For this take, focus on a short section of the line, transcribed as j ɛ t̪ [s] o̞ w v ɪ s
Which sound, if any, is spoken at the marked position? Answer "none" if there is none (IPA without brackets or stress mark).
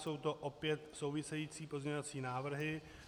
s